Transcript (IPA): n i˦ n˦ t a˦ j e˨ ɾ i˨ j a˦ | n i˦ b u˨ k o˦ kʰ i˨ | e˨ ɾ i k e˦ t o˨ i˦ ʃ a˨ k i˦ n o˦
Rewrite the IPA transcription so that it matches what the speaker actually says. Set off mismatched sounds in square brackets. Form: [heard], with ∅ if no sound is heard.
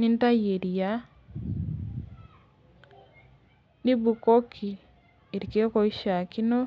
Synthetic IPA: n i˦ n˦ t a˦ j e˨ ɾ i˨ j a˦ | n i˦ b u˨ k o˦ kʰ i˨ | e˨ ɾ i k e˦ [k] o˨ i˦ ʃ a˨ k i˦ n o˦

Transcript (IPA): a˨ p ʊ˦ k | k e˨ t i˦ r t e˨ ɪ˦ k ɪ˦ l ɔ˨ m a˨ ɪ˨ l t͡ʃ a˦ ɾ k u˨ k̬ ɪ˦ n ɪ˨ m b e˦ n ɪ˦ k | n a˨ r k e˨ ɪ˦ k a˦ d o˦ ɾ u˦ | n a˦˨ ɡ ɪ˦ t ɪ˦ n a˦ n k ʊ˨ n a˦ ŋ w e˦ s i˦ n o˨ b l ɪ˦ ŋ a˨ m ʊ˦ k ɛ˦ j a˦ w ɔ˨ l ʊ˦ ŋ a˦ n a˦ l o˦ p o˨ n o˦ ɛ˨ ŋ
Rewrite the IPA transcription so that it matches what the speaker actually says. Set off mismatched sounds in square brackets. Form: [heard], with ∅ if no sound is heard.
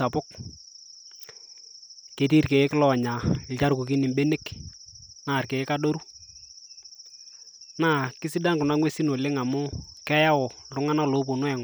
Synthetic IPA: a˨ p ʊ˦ k | k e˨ t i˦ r [k] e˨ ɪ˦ k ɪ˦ l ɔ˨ [ɲ] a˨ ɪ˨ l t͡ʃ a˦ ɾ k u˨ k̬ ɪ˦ n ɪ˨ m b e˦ n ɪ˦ k | n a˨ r k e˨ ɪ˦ k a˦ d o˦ ɾ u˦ | n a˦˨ [k] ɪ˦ [s] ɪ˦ [d] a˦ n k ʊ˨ n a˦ ŋ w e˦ s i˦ n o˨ [∅] l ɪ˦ ŋ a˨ m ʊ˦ k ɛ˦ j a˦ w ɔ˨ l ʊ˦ ŋ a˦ n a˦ l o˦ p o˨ n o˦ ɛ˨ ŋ

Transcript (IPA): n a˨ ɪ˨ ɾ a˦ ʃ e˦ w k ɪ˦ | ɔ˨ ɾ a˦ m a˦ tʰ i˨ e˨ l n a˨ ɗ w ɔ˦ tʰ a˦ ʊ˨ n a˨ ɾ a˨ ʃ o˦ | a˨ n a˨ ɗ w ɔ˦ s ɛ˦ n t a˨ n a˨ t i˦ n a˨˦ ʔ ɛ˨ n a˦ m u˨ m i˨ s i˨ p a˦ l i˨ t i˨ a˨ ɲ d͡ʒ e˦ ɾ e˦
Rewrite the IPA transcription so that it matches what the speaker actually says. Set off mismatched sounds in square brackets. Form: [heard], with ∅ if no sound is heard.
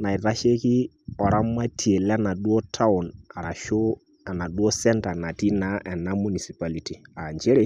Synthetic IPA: n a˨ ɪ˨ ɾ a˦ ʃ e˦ [∅] k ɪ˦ | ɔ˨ ɾ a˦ m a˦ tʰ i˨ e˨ l n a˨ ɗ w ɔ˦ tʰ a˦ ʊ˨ n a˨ ɾ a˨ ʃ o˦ | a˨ n a˨ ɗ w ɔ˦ s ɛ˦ n t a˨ n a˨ t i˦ n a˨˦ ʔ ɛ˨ n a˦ m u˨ [n] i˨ s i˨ p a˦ l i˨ t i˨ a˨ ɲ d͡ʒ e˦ ɾ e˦

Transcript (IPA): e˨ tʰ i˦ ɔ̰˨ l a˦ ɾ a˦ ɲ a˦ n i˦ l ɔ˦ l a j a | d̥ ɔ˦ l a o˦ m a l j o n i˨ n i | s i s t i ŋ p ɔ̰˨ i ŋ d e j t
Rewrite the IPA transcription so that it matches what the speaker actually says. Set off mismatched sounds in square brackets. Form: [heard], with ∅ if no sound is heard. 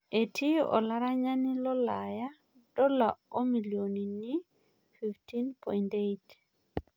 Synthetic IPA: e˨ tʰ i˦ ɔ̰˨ l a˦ ɾ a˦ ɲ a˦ n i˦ l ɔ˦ l a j a | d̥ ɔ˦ l a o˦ m [i] l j o n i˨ n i | [f] i [f] t i [n] p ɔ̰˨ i [n] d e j t

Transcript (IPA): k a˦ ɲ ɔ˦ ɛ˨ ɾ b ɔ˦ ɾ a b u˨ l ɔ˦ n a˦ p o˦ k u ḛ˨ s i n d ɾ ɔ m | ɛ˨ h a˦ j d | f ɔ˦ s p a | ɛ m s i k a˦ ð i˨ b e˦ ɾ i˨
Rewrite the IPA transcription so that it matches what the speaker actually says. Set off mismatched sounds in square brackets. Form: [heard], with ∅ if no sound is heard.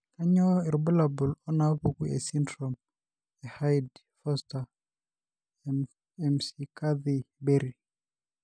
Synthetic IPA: k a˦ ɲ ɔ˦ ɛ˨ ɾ b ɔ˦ [l] a b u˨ l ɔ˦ n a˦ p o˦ k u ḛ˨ s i n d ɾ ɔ m | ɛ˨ h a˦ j d | f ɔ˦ s [t] a | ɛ m s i k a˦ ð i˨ b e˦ ɾ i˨

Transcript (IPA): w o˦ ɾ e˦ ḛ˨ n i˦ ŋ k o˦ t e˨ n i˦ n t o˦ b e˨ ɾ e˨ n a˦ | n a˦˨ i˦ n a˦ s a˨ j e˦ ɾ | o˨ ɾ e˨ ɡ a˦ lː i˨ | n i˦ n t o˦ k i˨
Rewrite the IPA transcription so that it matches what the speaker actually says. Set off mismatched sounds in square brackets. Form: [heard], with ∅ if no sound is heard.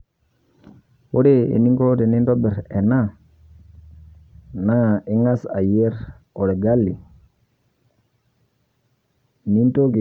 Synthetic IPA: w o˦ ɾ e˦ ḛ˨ n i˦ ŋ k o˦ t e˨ n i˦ n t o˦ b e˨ ɾ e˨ n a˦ | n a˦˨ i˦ [ŋ] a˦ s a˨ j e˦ ɾ | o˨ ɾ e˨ ɡ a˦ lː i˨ | n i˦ n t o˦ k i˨

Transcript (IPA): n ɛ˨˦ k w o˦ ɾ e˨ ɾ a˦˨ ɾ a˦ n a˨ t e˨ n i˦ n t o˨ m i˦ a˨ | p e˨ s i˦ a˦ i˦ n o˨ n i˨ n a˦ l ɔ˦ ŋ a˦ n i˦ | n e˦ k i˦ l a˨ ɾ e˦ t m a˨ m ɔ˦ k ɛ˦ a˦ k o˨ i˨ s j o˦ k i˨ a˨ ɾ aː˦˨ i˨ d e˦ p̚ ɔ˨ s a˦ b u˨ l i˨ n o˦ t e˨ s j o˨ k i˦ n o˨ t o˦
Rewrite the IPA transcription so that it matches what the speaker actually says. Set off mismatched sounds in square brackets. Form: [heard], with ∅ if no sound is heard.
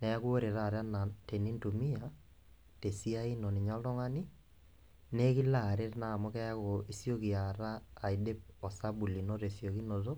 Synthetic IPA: n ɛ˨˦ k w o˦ ɾ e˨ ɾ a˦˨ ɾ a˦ n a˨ t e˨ n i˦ n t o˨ m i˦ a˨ | [t] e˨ s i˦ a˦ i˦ n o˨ n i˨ [ɲ] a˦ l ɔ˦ ŋ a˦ n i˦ | n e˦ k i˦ l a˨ ɾ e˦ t [n] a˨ m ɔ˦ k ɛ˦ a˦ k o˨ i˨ s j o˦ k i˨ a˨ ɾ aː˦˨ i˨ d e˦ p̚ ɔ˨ s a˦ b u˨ l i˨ n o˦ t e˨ s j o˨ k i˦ n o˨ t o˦

